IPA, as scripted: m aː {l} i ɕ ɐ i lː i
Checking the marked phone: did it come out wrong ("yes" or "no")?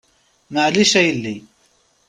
no